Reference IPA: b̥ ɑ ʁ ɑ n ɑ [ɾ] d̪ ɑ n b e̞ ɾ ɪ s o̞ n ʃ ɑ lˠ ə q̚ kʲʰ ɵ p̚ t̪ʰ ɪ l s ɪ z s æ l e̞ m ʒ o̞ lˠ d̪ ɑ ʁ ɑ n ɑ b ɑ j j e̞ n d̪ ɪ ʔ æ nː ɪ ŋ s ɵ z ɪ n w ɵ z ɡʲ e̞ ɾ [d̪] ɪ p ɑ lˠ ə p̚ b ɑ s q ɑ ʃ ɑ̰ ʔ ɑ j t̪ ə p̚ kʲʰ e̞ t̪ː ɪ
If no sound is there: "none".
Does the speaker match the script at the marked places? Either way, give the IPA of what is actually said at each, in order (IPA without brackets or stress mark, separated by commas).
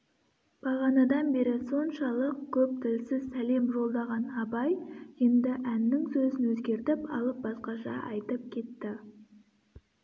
none, t̪